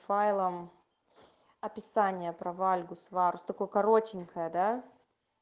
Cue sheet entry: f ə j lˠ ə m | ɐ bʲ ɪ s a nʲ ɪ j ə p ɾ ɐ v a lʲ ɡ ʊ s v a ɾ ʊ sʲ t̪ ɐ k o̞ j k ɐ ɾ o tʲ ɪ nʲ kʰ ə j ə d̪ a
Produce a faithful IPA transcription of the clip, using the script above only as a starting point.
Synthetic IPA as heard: f a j lˠ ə m | ɐ pʲ ɪ s a nʲ ɪ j ə p ɾ ɐ v a lʲ ɡ ʊ s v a ɾ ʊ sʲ t̪ ɐ k o̞ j k ɐ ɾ o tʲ ɪ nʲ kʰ ə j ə d̪ a